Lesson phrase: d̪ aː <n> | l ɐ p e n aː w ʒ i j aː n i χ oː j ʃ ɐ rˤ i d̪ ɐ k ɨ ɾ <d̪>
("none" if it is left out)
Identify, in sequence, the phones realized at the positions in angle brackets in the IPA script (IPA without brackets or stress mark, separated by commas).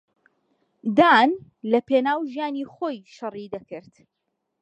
n, t̪